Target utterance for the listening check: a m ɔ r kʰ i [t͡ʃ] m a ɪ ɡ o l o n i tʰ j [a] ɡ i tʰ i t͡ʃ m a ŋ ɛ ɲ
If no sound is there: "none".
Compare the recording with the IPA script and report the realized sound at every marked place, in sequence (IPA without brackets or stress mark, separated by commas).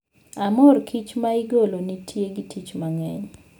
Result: t͡ʃ, e